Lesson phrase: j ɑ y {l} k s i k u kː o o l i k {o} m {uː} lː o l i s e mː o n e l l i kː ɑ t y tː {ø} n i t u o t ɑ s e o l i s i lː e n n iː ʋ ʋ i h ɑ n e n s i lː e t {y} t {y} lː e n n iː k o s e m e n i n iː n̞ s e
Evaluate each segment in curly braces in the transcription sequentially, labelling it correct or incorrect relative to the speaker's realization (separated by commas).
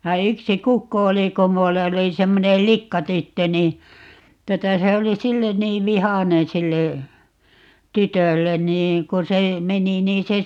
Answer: incorrect, correct, incorrect, correct, correct, incorrect